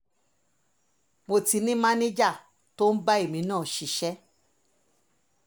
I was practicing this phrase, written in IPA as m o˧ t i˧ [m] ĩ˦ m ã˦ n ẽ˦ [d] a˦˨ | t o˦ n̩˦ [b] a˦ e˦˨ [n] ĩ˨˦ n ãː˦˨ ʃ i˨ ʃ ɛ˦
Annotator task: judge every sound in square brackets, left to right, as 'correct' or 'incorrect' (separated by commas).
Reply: incorrect, incorrect, correct, incorrect